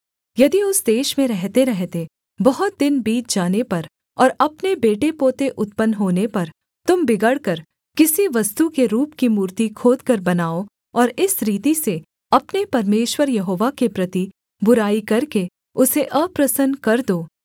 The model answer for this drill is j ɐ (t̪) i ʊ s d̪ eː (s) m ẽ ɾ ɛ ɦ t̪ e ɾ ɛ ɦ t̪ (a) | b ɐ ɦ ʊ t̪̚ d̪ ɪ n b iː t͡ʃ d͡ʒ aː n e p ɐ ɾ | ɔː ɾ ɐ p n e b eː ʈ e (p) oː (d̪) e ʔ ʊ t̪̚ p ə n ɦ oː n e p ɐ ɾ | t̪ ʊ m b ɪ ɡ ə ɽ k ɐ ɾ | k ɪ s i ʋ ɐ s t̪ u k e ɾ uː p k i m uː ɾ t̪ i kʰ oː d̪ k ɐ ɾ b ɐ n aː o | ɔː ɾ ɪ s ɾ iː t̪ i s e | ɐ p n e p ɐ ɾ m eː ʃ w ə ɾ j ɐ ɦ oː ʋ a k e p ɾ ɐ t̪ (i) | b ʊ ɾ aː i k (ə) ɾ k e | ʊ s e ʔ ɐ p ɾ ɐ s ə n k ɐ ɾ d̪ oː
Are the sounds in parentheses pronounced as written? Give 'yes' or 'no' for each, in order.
no, no, no, yes, no, yes, no

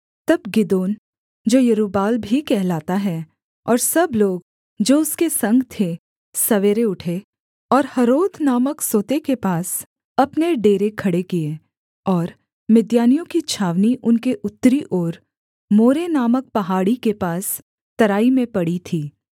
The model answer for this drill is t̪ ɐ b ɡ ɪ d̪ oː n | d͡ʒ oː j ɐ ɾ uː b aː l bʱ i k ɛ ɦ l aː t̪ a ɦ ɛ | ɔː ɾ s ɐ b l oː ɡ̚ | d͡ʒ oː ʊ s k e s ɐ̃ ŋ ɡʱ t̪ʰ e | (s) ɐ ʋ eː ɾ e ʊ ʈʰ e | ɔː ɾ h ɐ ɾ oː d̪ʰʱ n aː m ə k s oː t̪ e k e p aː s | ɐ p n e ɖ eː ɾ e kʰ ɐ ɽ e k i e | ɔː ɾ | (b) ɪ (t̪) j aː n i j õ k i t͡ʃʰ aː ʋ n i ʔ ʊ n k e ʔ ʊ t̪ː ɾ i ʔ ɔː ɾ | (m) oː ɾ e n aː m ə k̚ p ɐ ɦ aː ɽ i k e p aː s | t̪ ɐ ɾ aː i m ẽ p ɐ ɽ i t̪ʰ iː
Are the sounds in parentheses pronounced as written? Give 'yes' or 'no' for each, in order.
yes, no, no, yes

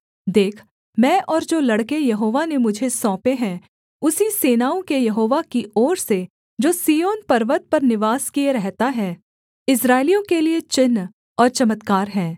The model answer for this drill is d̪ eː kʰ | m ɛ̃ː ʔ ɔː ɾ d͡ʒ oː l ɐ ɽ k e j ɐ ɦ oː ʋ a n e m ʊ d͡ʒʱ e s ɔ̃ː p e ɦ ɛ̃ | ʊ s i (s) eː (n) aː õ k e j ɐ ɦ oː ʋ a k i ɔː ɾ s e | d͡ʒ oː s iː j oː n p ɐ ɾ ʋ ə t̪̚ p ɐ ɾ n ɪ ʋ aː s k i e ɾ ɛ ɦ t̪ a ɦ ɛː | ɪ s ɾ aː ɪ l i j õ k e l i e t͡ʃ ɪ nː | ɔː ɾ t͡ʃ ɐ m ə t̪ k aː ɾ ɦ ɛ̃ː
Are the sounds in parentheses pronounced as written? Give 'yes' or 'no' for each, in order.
yes, yes

